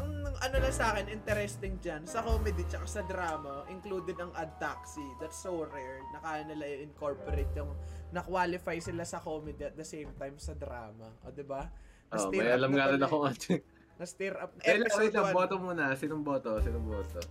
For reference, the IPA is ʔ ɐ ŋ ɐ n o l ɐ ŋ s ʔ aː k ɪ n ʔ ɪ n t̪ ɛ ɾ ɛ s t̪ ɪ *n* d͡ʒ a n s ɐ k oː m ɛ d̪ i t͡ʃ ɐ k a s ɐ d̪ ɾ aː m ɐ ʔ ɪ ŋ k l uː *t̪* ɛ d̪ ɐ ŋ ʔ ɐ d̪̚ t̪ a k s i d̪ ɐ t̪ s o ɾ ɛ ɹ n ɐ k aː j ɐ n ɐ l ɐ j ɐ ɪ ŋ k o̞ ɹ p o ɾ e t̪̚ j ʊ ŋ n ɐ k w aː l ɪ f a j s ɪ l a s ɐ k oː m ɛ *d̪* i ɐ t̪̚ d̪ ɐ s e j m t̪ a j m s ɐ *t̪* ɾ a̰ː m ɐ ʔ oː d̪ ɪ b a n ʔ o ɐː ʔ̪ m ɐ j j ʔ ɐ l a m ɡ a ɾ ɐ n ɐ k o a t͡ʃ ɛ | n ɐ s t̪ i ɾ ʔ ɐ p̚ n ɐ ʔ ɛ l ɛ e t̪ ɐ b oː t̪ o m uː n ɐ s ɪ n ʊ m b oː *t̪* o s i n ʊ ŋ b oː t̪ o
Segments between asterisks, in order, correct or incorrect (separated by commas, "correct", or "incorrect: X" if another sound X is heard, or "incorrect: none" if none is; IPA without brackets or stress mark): incorrect: ŋ, incorrect: d̪, correct, incorrect: d̪, correct